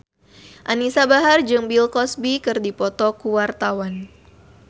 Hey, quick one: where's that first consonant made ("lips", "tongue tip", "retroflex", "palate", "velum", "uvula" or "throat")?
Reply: throat